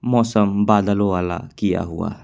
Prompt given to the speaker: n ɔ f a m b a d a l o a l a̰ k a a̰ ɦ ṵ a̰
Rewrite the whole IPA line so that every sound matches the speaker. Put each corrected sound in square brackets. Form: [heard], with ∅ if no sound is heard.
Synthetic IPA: [m] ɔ [s] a m b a d a l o a l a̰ k [i] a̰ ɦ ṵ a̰